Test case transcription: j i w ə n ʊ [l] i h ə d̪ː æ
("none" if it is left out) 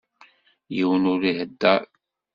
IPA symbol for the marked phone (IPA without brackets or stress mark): ɾ